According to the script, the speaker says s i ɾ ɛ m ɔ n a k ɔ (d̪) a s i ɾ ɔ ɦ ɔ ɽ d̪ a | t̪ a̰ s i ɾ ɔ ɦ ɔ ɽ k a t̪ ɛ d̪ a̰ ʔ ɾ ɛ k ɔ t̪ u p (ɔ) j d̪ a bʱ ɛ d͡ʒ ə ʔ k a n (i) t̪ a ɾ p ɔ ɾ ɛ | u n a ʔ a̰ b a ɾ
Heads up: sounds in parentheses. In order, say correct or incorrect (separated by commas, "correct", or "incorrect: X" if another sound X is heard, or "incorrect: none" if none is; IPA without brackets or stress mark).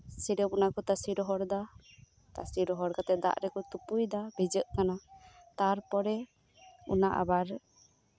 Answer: incorrect: t̪, incorrect: u, incorrect: a